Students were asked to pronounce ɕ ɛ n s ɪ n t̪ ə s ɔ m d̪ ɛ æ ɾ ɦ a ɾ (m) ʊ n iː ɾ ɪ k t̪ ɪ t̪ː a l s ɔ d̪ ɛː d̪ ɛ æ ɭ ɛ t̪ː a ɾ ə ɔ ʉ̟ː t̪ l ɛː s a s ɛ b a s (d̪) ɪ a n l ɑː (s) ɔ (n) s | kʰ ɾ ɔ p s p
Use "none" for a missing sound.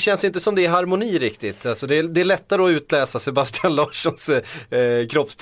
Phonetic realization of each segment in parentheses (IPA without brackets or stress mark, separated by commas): m, t̪, ʂ, n